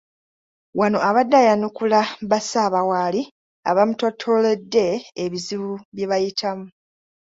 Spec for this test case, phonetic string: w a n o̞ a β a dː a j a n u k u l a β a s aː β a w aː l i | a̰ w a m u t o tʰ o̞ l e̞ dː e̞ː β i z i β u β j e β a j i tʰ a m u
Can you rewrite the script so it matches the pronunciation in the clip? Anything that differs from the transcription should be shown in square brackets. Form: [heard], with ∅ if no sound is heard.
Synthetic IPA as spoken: w a n o̞ a β a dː a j a n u k u l a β a s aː β a w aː l i | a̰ [β] a m u t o tʰ o̞ l e̞ dː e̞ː β i z i β u β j e β a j i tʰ a m u